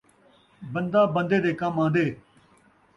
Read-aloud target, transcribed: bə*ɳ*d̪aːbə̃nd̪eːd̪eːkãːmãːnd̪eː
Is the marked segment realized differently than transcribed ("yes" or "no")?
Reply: yes